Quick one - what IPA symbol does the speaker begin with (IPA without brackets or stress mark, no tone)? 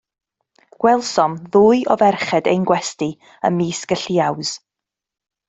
ɡ̥